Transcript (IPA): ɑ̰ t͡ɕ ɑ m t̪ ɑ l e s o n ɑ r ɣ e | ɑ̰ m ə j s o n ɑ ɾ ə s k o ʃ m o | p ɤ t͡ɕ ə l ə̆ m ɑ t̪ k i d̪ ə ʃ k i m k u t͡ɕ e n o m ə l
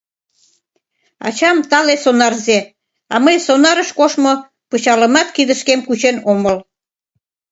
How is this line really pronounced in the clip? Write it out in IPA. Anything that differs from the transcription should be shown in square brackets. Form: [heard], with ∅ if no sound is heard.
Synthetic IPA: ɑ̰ t͡ɕ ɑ m t̪ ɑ l e s o n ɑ r [z] e | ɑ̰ m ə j s o n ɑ ɾ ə [ʃ] k o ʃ m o | p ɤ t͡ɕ [ɑ] l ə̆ m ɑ t̪ k i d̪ ə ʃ k [e] m k u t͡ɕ e n o m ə l

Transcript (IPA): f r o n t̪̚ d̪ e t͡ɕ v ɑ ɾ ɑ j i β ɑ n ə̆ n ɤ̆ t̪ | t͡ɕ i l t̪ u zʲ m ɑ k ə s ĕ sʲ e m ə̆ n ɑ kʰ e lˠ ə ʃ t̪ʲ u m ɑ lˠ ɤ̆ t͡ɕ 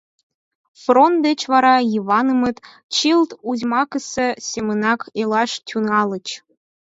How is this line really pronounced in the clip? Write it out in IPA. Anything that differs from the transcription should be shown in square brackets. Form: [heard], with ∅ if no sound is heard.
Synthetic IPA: f r o n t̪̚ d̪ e t͡ɕ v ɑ ɾ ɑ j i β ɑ n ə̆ [m] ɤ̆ t̪ | t͡ɕ i l t̪ u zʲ m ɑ k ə s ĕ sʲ e m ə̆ n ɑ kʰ e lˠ [ɑ] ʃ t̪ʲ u [n] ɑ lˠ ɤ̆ t͡ɕ

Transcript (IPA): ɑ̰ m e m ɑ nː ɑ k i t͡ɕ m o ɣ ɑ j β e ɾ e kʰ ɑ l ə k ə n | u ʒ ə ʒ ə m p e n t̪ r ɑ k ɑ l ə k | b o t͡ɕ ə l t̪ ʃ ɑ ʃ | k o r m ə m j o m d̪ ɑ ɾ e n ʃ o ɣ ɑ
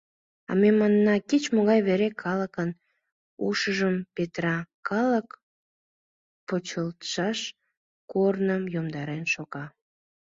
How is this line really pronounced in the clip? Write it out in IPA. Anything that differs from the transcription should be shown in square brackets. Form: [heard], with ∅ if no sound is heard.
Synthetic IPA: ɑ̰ m e m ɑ nː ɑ k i t͡ɕ m o ɣ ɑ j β e ɾ e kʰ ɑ l ə k ə n | u [ʃ] ə ʒ ə m p e [∅] t̪ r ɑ k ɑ l ə k | [p] o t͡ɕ ə l t̪ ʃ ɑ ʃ | k o r [n] ə m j o m d̪ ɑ ɾ e n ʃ o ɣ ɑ

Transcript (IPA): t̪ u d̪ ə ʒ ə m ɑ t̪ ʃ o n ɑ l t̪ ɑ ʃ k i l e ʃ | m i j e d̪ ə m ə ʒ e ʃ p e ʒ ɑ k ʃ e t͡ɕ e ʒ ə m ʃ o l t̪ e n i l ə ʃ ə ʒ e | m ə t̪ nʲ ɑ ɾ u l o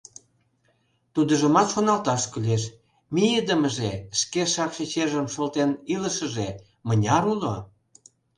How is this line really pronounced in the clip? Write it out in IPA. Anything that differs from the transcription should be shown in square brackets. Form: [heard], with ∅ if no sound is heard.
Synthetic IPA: t̪ u d̪ ə ʒ ə m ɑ t̪ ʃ o n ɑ l t̪ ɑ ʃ k [y] l e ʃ | m i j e d̪ ə m ə ʒ e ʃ [k] e [ʃ] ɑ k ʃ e t͡ɕ e ʒ ə m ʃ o l t̪ e n i l ə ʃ ə ʒ e | m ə [∅] nʲ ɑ ɾ u l o

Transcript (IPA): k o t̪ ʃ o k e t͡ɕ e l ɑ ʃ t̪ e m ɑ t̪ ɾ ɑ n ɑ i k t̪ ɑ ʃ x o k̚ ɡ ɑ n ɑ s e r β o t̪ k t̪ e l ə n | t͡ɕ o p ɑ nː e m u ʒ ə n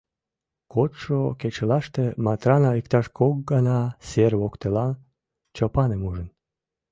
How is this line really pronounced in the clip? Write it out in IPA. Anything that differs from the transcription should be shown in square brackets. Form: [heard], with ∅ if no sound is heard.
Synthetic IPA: k o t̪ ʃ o k e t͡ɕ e l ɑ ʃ t̪ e m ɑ t̪ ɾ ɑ n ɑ i k t̪ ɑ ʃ [k] o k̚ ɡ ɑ n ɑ s e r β o [∅] k t̪ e l [ɑ] n | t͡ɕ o p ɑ [n] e m u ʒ ə n

